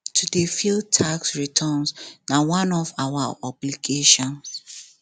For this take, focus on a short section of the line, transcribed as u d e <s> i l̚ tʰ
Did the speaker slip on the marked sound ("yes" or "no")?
yes